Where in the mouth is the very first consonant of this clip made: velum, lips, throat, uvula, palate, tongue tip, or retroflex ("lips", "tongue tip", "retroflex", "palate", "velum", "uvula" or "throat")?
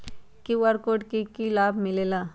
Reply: velum